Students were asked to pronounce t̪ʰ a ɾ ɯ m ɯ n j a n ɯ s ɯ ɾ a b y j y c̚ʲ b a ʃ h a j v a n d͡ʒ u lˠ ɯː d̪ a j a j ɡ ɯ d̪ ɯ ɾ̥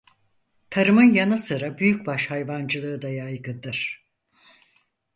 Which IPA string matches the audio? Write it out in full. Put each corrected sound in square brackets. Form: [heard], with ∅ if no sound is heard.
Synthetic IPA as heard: t̪ʰ a ɾ ɯ m ɯ n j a n ɯ s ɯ ɾ a b y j y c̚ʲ b a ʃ h a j v a n d͡ʒ [ɯ] lˠ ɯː d̪ a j a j ɡ ɯ d̪ ɯ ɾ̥